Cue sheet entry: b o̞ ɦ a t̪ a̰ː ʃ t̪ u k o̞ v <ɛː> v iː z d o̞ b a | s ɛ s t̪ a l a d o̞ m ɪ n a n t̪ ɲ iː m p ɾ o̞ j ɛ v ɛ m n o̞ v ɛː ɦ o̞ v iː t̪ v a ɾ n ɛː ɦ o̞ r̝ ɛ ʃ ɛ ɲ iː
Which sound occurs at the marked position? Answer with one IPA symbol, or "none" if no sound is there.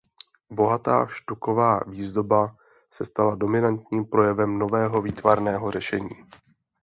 aː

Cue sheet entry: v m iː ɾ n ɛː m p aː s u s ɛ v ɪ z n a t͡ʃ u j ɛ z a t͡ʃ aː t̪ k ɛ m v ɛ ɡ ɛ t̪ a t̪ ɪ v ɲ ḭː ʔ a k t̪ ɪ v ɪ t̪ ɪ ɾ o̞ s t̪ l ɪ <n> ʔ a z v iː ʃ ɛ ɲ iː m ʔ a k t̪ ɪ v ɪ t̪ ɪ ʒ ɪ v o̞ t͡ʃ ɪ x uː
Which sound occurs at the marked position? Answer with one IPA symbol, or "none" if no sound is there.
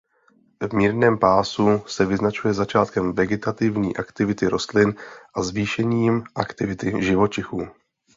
n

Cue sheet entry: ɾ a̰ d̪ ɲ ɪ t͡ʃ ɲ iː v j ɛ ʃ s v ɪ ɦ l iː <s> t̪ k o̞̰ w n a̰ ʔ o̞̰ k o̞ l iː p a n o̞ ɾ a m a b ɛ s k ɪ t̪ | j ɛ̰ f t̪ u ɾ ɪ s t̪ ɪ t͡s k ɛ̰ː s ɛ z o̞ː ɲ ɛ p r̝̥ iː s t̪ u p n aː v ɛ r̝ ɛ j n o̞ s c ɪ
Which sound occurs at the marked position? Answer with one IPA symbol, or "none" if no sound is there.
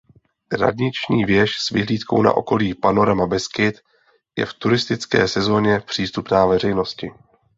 none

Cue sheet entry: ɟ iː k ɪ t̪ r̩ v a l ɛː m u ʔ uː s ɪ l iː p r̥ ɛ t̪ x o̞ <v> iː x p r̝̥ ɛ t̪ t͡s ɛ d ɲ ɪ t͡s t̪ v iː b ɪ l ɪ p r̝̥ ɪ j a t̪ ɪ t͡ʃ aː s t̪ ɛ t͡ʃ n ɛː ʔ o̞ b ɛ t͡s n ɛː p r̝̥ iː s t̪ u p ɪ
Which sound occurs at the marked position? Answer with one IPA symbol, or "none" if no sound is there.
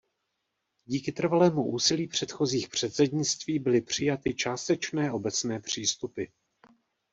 z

